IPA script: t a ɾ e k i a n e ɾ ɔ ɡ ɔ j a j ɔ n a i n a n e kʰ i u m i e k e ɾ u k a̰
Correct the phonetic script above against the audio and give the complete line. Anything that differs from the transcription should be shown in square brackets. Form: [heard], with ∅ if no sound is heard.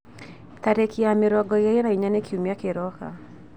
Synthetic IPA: t a ɾ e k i a [m] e ɾ ɔ ɡ ɔ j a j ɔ n a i [ɲ] a n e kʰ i u m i [a] k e ɾ [ɔ] k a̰